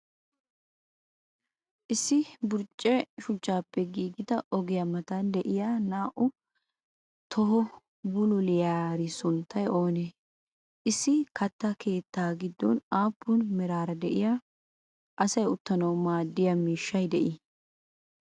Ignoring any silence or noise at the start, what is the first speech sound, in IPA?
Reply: ʔ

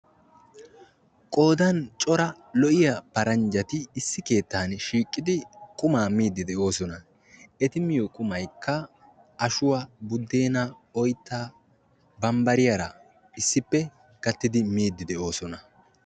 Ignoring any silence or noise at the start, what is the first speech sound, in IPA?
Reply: kʼ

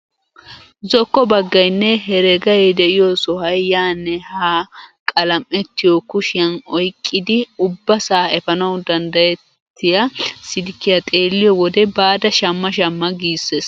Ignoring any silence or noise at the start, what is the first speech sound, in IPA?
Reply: z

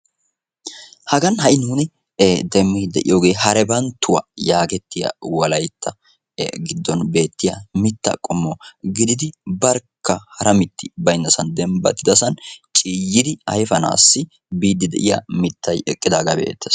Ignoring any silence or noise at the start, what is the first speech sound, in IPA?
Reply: h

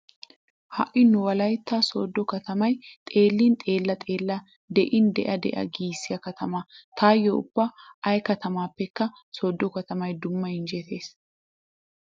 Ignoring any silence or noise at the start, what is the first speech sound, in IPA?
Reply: h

